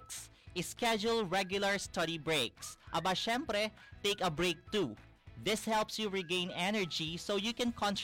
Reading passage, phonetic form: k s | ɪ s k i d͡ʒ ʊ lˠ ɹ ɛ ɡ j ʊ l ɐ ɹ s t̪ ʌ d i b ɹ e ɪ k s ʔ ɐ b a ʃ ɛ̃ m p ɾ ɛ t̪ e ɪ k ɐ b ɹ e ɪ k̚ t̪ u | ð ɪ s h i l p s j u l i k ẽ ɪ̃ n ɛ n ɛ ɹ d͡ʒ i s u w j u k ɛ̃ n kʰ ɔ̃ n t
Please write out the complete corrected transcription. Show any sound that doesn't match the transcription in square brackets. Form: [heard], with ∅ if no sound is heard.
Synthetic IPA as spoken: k s | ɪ s k [ɛ] d͡ʒ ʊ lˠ ɹ ɛ ɡ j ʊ l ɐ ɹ s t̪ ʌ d i b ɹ e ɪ k s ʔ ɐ b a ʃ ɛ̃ m p ɾ ɛ t̪ e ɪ k ɐ b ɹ e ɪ k̚ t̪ u | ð ɪ s h [ɛ] l p s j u [ɹ] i [ɡ] ẽ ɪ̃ n ɛ n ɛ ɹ d͡ʒ i s [o] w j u k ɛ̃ n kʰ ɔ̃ n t